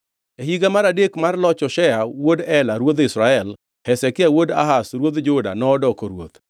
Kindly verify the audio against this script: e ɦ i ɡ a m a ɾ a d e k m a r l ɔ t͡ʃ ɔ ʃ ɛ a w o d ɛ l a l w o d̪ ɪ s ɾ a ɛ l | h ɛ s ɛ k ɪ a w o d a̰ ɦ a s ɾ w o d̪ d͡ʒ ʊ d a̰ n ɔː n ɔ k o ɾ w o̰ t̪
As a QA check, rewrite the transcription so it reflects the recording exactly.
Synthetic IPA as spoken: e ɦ i ɡ a m a ɾ a d e k m a r l ɔ t͡ʃ ɔ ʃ ɛ a w o d ɛ l a ɾ w o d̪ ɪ s ɾ a ɛ l | h ɛ s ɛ k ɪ a w o d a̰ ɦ a s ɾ w o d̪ d͡ʒ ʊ d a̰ n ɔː d ɔ k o ɾ w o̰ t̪